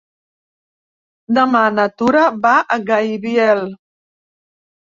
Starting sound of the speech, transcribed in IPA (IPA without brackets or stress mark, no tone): d̪